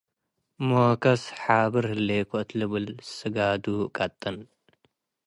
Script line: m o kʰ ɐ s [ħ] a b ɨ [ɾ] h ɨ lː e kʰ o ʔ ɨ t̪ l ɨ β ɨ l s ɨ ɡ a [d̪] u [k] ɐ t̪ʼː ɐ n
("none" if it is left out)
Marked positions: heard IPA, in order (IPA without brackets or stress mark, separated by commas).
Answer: ħ, ɾ, d̪, kʼ